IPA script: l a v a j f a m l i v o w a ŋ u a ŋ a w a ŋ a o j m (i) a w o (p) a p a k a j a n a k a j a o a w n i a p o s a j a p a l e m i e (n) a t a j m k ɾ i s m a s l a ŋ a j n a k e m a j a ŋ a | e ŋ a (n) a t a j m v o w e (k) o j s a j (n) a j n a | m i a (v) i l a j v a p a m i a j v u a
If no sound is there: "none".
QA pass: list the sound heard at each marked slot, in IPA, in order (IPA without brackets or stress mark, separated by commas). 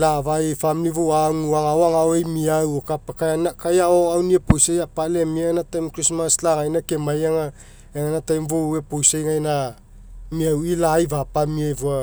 i, k, n, n, p, ŋ, w